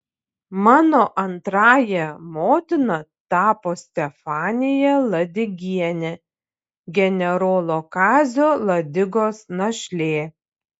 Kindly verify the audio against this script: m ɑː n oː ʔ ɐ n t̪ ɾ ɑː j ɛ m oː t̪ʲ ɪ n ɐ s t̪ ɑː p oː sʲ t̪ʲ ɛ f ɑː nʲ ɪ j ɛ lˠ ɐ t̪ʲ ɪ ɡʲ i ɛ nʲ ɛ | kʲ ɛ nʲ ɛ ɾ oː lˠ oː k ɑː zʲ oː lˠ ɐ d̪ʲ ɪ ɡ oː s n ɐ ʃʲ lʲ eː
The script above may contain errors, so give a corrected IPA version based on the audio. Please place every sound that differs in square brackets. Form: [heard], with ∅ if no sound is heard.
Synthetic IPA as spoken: m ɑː n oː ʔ ɐ n t̪ ɾ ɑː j ɛ m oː t̪ʲ ɪ n ɐ [∅] t̪ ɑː p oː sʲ t̪ʲ ɛ f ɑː nʲ ɪ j ɛ lˠ ɐ [d̪ʲ] ɪ ɡʲ i ɛ nʲ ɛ | [ɡʲ] ɛ nʲ ɛ ɾ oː lˠ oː k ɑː zʲ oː lˠ ɐ d̪ʲ ɪ ɡ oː s n ɐ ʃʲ lʲ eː